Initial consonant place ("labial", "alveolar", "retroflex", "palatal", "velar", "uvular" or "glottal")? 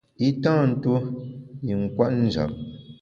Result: alveolar